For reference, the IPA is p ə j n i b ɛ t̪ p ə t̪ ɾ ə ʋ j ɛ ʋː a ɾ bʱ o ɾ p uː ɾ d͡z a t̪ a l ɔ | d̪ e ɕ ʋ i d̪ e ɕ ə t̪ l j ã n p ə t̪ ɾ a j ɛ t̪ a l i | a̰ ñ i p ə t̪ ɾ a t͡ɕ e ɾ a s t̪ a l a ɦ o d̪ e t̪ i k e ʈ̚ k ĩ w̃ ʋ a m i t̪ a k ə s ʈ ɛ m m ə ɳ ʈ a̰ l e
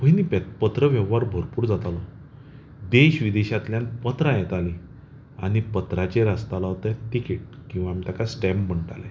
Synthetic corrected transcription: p ə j n i p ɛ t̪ p ə t̪ ɾ ə ʋ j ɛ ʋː a ɾ bʱ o ɾ p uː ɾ d͡z a t̪ a l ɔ | d̪ e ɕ ʋ i d̪ e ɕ a t̪ l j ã n p ə t̪ ɾ a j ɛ t̪ a l i | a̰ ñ i p ə t̪ ɾ a t͡ɕ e ɾ a s t̪ a l a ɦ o t̪ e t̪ i k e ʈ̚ k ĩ w̃ ʋ a m i t̪ a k a s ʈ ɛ m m ə ɳ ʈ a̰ l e